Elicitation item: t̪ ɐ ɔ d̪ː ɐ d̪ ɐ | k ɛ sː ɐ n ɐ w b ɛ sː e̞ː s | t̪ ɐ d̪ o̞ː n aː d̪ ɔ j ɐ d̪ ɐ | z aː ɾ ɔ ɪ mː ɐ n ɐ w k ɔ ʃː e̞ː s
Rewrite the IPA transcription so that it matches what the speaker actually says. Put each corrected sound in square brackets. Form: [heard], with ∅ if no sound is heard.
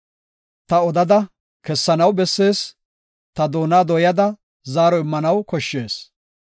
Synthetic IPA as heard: t̪ ɐ ɔ [d̪] ɐ d̪ ɐ | k ɛ sː ɐ n ɐ w b ɛ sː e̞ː s | t̪ ɐ d̪ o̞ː n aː d̪ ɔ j ɐ d̪ ɐ | z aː ɾ ɔ ɪ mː ɐ n ɐ w k ɔ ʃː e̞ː s